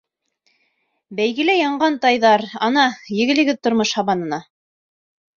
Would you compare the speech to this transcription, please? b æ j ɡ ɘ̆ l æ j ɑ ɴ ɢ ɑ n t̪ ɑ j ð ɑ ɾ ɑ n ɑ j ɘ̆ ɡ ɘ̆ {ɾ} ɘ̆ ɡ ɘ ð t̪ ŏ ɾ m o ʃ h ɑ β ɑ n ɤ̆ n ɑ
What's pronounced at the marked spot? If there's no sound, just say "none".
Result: l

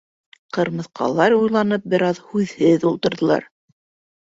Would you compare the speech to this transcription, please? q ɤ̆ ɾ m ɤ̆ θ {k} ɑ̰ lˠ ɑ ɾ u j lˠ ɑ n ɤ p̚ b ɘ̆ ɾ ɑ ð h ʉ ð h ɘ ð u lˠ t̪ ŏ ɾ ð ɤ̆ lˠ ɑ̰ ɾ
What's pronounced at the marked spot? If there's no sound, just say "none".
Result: q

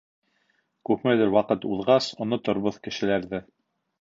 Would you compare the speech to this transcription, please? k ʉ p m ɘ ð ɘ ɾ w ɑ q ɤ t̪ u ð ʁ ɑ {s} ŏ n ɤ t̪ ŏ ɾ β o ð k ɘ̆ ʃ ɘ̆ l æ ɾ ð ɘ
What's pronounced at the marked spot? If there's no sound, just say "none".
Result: s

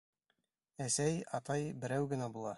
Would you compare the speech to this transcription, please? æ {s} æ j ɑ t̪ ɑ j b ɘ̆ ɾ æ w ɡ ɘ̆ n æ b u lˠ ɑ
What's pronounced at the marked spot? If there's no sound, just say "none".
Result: s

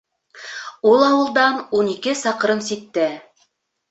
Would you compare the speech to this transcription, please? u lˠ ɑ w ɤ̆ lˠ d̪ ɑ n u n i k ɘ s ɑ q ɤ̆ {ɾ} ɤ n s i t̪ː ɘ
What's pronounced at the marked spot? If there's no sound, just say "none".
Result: ɾ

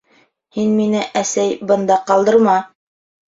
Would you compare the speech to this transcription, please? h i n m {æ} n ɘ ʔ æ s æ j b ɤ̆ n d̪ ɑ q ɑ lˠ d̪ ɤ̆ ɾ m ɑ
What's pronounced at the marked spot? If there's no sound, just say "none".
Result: i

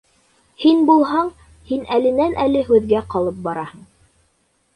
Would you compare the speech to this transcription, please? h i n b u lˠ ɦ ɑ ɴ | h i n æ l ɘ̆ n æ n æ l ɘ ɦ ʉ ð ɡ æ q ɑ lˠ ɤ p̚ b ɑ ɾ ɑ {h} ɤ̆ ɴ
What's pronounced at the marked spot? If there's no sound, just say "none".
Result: h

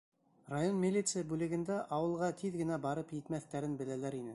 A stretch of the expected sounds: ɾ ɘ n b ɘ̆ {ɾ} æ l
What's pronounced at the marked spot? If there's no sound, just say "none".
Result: l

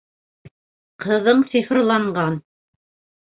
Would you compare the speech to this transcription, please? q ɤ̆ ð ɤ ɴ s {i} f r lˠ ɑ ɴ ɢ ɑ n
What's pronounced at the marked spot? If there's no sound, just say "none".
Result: i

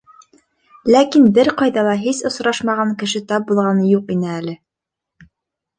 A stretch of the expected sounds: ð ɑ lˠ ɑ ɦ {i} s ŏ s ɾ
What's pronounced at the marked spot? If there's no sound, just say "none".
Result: i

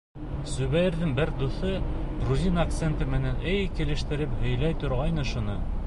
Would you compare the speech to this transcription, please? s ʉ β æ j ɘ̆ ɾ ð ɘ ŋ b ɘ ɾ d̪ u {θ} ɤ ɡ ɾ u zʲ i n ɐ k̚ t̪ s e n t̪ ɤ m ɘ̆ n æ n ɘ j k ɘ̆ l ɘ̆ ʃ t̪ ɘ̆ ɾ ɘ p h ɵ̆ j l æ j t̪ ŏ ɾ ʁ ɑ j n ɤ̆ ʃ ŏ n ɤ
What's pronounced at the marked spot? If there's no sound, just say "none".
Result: θ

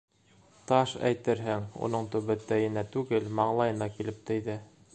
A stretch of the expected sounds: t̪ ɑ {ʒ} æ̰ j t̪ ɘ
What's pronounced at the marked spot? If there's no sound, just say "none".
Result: ʃ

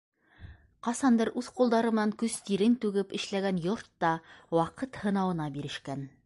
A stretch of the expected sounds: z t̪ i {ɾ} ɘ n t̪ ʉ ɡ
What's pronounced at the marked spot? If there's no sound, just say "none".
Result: ɾ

